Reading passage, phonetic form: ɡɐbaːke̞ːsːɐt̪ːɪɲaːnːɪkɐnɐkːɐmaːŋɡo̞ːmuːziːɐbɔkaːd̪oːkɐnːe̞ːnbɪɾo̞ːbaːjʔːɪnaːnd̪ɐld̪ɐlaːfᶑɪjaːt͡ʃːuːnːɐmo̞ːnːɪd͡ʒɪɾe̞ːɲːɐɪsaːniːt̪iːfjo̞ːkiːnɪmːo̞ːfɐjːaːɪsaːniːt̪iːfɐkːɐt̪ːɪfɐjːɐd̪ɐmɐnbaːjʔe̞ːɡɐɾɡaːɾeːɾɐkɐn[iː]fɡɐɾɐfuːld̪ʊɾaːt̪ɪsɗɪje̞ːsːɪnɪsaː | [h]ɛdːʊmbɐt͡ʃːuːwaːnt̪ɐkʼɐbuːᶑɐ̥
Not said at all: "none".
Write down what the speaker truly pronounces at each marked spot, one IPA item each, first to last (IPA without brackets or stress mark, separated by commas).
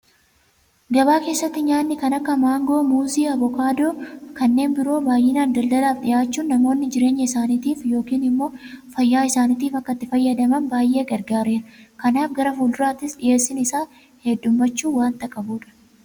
aː, h